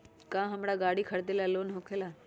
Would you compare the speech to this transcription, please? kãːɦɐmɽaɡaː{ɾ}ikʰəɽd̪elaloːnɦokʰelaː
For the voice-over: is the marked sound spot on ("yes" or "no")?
no